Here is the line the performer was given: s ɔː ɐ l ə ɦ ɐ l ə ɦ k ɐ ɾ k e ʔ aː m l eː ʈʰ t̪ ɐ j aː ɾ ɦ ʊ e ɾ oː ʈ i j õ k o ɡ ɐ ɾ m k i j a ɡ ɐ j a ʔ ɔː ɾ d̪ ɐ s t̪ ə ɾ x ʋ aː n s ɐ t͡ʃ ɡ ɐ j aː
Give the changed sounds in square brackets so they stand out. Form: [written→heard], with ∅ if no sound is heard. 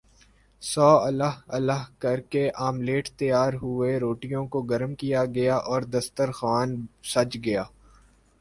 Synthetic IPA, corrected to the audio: s ɔː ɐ l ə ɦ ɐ l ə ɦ k ɐ ɾ k e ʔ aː m l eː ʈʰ t̪ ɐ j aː ɾ ɦ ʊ e ɾ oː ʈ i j õ k o ɡ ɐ ɾ m k i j a ɡ ɐ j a ʔ ɔː ɾ d̪ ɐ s t̪ ə ɾ x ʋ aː n s ɐ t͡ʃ ɡ ɐ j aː